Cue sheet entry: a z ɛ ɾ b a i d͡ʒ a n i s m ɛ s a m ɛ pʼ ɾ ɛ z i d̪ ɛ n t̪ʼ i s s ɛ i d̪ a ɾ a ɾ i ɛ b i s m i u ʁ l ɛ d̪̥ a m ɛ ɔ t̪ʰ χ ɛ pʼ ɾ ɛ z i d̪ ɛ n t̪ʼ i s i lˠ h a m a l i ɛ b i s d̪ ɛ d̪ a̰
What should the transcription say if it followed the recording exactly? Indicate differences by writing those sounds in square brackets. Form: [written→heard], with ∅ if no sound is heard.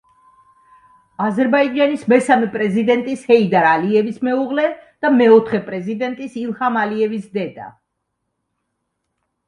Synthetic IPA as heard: a z ɛ ɾ b a i d͡ʒ a n i s m ɛ s a m ɛ pʼ ɾ ɛ z i d̪ ɛ n t̪ʼ i s [s→h] ɛ i d̪ a ɾ a [ɾ→l] i ɛ [b→v] i s m [i→ɛ] u ʁ l ɛ d̪̥ a m ɛ ɔ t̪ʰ χ ɛ pʼ ɾ ɛ z i d̪ ɛ n t̪ʼ i s i lˠ h a m a l i ɛ [b→v] i s d̪ ɛ d̪ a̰

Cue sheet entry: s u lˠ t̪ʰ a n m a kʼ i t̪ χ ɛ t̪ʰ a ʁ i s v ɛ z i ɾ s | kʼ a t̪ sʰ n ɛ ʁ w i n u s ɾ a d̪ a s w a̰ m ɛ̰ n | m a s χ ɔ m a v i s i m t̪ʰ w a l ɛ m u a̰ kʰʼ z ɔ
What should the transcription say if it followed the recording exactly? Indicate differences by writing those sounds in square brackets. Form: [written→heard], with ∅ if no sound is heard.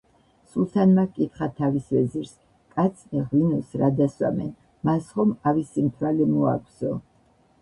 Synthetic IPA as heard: s u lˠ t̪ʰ a n m a kʼ i t̪ χ [ɛ→a] t̪ʰ a [ʁ→v] i s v ɛ z i ɾ s | kʼ a t̪ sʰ n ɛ ʁ w i n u s ɾ a d̪ a s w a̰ m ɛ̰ n | m a s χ ɔ m a v i s i m t̪ʰ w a l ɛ m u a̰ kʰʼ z ɔ

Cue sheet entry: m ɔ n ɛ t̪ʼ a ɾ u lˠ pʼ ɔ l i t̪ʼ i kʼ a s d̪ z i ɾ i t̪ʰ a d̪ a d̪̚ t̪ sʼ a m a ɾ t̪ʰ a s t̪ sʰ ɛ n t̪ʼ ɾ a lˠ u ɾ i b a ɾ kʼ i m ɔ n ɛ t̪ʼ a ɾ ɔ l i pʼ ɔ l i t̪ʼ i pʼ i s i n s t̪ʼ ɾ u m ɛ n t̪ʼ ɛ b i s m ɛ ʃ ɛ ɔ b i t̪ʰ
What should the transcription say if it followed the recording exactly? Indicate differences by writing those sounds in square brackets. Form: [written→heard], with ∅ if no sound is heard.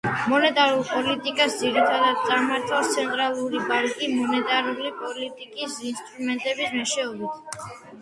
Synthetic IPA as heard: m ɔ n ɛ t̪ʼ a ɾ u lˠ pʼ ɔ l i t̪ʼ i kʼ a s d̪ z i ɾ i t̪ʰ a d̪ a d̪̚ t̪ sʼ a m a ɾ t̪ʰ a s t̪ sʰ ɛ n t̪ʼ ɾ a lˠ u ɾ i b a ɾ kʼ i m ɔ n ɛ t̪ʼ a ɾ [ɔ→u] l i pʼ ɔ l i t̪ʼ i [pʼ→kʼ] i s i n s t̪ʼ ɾ u m ɛ n t̪ʼ ɛ b i s m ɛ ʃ ɛ ɔ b i t̪ʰ

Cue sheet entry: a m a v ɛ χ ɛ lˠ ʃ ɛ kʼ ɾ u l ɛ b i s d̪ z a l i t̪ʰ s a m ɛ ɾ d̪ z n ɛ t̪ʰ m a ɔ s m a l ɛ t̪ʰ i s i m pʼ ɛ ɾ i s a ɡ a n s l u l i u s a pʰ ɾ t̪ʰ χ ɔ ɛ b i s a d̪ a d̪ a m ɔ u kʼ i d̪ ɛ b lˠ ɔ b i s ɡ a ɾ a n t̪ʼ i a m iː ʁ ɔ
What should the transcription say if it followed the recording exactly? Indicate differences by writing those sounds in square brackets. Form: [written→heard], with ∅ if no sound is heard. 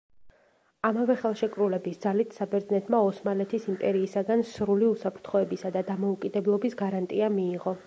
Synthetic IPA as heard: a m a v ɛ χ ɛ lˠ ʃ ɛ kʼ ɾ u l ɛ b i s d̪ z a l i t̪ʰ s a [m→b] ɛ ɾ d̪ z n ɛ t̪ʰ m a ɔ s m a l ɛ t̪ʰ i s i m pʼ ɛ ɾ [i→iː] s a ɡ a n s [l→ɾ] u l i u s a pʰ ɾ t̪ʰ χ ɔ ɛ b i s a d̪ a d̪ a m ɔ u kʼ i d̪ ɛ b lˠ ɔ b i s ɡ a ɾ a n t̪ʼ i a m iː ʁ ɔ

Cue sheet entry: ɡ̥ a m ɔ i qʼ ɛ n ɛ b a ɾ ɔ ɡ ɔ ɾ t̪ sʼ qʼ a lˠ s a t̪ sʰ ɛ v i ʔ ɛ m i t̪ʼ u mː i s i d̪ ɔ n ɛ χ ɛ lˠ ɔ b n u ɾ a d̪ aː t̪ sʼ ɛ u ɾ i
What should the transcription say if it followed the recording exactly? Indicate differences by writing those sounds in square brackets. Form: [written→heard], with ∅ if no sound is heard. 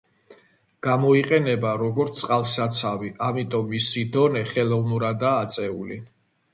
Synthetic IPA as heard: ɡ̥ a m ɔ i qʼ ɛ n ɛ b a ɾ ɔ ɡ ɔ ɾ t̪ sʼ qʼ a lˠ s a t̪ sʰ [ɛ→a] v i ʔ [ɛ→a] m i t̪ʼ [u→ɔ] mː i s i d̪ ɔ n ɛ χ ɛ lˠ ɔ [b→v] n u ɾ a d̪ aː t̪ sʼ ɛ u [ɾ→l] i

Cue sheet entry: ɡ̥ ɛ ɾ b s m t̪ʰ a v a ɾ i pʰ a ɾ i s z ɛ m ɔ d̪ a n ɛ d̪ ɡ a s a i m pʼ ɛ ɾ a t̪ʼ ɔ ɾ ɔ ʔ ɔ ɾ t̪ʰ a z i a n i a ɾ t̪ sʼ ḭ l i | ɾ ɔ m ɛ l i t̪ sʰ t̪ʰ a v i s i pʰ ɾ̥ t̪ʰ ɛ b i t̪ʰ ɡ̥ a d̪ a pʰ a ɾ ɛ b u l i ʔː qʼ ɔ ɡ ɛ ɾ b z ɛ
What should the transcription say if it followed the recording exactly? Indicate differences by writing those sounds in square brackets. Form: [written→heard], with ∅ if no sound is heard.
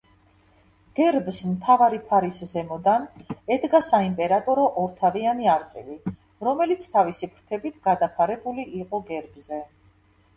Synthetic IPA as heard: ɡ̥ ɛ ɾ b s m t̪ʰ a v a ɾ i pʰ a ɾ i s z ɛ m ɔ d̪ a n ɛ d̪ ɡ a s a i m pʼ ɛ ɾ a t̪ʼ ɔ ɾ ɔ ʔ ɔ ɾ t̪ʰ a [z→v] i a n i a ɾ t̪ sʼ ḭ l i | ɾ ɔ m ɛ l i t̪ sʰ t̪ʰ a v i s i pʰ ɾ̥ t̪ʰ ɛ b i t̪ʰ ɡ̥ a d̪ a pʰ a ɾ ɛ b u l i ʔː qʼ ɔ ɡ ɛ ɾ b z ɛ

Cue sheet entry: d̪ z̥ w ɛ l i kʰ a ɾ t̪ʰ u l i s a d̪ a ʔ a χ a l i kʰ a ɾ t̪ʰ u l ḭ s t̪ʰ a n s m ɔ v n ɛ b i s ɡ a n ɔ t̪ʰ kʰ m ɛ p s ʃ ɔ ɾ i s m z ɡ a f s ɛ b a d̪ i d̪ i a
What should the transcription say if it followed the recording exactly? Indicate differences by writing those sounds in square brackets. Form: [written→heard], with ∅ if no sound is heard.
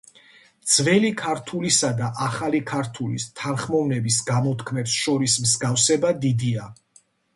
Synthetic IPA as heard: d̪ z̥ [w→v] ɛ l i kʰ a ɾ t̪ʰ u l i s a d̪ a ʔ a χ a l i kʰ a ɾ t̪ʰ u l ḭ s t̪ʰ a n [s→χ] m ɔ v n ɛ b i s ɡ a [n→m] ɔ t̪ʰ kʰ m ɛ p s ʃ ɔ ɾ i s m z ɡ a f s ɛ b a d̪ i d̪ i a

